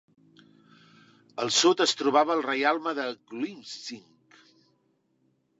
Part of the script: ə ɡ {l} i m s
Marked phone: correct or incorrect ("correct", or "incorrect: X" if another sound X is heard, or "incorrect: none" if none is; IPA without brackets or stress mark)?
correct